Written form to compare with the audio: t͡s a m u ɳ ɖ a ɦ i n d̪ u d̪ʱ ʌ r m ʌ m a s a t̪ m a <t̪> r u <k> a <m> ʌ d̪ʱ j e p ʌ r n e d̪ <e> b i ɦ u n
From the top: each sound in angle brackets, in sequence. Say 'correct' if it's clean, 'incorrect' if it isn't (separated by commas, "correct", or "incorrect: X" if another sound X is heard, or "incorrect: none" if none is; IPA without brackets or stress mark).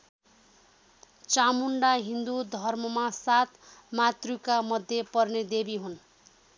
correct, correct, correct, correct